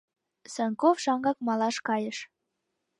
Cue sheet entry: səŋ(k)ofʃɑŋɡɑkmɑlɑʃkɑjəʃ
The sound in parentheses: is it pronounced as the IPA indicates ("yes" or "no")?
yes